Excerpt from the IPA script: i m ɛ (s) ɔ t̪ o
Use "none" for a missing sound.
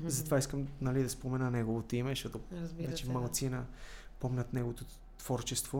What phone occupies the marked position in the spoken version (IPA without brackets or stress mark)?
ʃ